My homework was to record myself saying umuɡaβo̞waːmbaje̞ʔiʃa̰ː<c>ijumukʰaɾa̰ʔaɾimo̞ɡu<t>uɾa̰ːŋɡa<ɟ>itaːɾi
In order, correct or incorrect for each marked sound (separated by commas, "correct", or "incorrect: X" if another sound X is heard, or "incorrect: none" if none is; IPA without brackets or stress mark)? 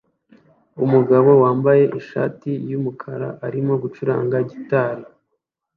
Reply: incorrect: t, incorrect: t͡ʃ, correct